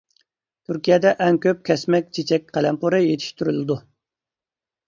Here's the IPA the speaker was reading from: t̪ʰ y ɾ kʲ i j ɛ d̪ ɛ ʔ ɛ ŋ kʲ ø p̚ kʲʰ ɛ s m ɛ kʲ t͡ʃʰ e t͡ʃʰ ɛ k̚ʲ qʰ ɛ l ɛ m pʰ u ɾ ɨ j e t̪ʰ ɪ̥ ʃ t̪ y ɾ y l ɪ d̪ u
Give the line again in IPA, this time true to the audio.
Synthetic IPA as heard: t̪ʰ y ɾ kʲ i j ɛ d̪ ɛ ʔ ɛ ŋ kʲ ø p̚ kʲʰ ɛ s m ɛ kʲ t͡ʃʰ e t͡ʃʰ ɛ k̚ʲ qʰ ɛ l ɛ m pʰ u ɾ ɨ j e t̪ʰ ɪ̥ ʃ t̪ y ɾ y l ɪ d̪ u

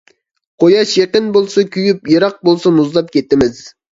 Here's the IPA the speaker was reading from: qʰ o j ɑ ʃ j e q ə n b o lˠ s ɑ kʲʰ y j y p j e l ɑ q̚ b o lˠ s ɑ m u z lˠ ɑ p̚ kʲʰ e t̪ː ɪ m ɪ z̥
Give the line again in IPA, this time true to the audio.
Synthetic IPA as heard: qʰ o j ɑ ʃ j e q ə n b o lˠ s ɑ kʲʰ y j y p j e ɾ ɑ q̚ b o lˠ s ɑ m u z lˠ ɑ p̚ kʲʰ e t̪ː ɪ m ɪ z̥

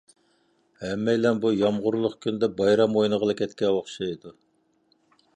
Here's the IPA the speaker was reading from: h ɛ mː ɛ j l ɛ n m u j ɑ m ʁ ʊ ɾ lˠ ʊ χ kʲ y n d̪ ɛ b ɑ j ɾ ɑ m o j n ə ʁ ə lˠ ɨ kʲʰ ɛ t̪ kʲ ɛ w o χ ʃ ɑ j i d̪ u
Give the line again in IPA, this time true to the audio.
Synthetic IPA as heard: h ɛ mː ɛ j l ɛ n b u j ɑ m ʁ ʊ ɾ lˠ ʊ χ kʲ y n d̪ ɛ b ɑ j ɾ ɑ m o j n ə ʁ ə lˠ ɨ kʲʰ ɛ t̪ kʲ ɛ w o χ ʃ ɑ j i d̪ u

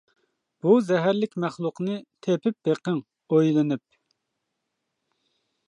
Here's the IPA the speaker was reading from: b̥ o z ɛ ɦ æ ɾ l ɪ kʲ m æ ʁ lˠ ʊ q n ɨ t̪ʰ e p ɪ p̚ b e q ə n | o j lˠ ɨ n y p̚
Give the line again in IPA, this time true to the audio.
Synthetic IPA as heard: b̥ u z ɛ ɦ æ ɾ l ɪ kʲ m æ χ lˠ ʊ q n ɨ t̪ʰ e p ɪ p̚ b e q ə ŋ | o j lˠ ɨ n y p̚

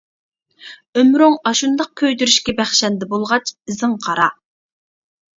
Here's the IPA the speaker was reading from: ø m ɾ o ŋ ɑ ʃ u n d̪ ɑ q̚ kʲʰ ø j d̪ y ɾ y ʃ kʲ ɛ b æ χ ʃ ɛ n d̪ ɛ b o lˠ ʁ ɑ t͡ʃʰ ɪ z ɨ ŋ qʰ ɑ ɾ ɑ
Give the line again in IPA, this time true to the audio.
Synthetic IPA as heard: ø m ɾ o ŋ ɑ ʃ u n d̪ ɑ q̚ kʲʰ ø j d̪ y ɾ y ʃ kʲ ɛ b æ χ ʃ ɛ n d̪ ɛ b o lˠ ʁ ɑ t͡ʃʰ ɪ z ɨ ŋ qʰ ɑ ɾ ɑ

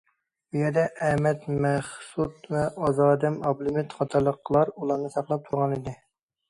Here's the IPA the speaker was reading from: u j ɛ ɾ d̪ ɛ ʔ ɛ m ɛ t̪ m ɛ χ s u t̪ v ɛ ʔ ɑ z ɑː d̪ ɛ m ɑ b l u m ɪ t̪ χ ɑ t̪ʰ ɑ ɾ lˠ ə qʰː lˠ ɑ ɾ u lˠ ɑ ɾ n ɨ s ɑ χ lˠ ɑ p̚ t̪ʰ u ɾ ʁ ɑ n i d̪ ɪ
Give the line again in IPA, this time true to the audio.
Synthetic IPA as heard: u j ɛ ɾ d̪ ɛ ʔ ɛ m ɛ t̪ m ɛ χ s u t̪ v ɛ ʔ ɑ z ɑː d̪ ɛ m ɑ b l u m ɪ t̪ χ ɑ t̪ʰ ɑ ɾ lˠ ə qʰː lˠ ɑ ɾ u lˠ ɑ ɾ n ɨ s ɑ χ lˠ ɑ p̚ t̪ʰ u ɾ ʁ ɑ n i d̪ ɪ

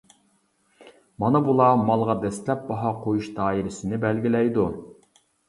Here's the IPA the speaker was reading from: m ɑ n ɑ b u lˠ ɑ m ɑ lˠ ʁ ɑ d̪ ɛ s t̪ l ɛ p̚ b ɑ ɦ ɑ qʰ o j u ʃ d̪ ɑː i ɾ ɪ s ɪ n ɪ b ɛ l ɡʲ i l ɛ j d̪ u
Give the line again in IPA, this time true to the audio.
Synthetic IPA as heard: m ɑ n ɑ b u lˠ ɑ m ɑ lˠ ʁ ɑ d̪ ɛ s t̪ l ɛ p̚ b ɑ ɦ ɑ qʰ o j u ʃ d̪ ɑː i ɾ ɪ s ɪ n ɪ b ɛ l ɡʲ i l ɛ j d̪ u

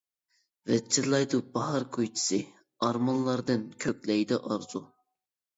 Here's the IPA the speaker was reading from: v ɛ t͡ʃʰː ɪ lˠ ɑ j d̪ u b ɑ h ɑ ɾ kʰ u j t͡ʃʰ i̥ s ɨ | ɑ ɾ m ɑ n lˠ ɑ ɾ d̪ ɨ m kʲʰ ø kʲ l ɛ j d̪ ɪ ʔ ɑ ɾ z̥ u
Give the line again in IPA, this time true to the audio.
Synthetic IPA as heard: v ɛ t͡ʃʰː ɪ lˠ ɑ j d̪ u b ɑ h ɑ ɾ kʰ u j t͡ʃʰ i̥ s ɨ | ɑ ɾ m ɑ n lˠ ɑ ɾ d̪ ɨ n kʲʰ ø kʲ l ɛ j d̪ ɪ ʔ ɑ ɾ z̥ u

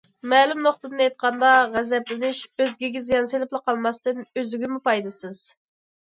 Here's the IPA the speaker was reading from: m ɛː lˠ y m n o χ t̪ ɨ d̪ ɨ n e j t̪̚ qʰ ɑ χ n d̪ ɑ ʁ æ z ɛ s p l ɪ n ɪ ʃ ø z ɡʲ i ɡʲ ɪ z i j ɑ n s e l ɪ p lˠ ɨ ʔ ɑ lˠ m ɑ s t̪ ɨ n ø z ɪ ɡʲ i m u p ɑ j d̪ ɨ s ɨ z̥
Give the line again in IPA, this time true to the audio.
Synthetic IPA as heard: m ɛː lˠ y m n o χ t̪ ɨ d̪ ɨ n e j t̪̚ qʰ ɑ n d̪ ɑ ʁ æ z ɛ p l ɪ n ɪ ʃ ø z ɡʲ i ɡʲ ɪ z i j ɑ n s e l ɪ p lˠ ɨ q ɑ lˠ m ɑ s t̪ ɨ n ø z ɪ ɡʲ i m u p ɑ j d̪ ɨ s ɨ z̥

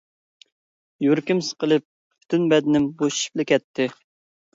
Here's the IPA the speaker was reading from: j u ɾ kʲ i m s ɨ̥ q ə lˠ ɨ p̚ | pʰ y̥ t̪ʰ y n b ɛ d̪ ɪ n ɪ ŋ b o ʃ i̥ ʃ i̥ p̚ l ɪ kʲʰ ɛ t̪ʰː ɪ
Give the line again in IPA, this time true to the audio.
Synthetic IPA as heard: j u ɾ kʲ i m s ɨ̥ q ə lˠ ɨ p̚ | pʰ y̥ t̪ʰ y n b ɛ d̪ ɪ n ɪ m b o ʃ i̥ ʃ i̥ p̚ l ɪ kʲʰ ɛ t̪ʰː ɪ

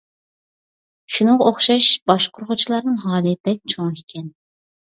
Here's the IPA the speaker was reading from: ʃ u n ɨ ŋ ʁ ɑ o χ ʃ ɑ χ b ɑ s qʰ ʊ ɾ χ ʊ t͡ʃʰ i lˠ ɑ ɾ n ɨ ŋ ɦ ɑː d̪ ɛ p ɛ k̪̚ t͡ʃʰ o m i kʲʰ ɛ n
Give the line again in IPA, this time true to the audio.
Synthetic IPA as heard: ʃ u n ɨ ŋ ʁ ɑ o χ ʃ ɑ ʃ b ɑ ʃ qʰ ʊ ɾ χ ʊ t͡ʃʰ i lˠ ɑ ɾ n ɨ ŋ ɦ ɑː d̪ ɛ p ɛ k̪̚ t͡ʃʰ o ŋ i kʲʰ ɛ n

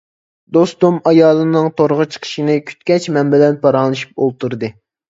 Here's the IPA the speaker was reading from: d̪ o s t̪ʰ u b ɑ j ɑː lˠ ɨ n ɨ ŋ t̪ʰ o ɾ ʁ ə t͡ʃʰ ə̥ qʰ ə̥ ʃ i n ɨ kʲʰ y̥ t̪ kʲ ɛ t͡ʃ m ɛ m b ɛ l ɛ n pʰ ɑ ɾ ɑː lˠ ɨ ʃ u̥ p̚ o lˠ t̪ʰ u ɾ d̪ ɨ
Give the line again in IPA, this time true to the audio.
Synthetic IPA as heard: d̪ o s t̪ u m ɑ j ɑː lˠ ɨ n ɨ ŋ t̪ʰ o ɾ ʁ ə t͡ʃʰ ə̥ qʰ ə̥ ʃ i n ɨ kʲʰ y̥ t̪ kʲ ɛ t͡ʃ m ɛ m b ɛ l ɛ n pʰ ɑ ɾ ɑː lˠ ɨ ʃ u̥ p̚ o lˠ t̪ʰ u ɾ d̪ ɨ

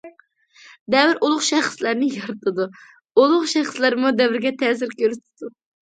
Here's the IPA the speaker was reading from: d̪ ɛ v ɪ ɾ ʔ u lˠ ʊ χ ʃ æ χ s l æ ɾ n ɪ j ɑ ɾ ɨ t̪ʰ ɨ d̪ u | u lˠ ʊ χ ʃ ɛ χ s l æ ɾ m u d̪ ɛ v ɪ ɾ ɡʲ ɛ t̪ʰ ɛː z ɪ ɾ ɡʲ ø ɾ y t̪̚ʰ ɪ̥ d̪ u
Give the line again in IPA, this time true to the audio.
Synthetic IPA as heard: d̪ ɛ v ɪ ɾ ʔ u lˠ ʊ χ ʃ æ χ s l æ ɾ n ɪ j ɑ ɾ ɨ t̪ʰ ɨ d̪ u | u lˠ ʊ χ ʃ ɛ χ s l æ ɾ m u d̪ ɛ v ɪ ɾ ɡʲ ɛ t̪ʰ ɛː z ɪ ɾ kʲ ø ɾ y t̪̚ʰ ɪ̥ d̪ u

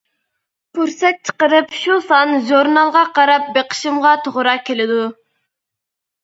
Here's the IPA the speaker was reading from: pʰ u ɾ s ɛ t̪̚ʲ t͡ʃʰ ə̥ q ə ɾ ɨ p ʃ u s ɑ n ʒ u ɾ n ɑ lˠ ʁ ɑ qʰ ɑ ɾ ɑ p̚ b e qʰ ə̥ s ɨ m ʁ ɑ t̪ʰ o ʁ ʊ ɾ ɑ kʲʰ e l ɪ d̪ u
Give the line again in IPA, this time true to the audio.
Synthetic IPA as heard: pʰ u ɾ s ɛ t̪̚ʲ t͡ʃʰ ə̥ q ə ɾ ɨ p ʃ u s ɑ n ʒ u ɾ n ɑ lˠ ʁ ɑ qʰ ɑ ɾ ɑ p̚ b e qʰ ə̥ ʃ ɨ m ʁ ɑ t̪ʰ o ʁ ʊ ɾ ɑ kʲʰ e l ɪ d̪ u

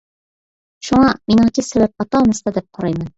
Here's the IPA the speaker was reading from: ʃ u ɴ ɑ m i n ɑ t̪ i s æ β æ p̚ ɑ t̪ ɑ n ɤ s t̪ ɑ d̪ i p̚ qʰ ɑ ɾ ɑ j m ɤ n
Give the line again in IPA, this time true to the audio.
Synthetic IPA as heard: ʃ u ɴ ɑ m i n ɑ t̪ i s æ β æ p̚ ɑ t̪ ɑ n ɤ s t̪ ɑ d̪ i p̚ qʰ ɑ ɾ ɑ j m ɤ n

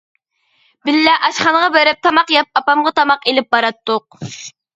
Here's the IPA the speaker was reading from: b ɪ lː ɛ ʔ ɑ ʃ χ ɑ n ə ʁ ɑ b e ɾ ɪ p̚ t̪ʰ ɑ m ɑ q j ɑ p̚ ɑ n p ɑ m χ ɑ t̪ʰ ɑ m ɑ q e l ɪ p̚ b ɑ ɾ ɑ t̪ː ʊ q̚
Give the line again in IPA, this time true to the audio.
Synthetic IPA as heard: b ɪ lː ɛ ʔ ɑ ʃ χ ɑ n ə ʁ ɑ b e ɾ ɪ p̚ t̪ʰ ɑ m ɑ q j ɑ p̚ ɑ p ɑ m ʁ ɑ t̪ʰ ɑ m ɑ q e l ɪ p̚ b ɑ ɾ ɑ t̪ː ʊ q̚

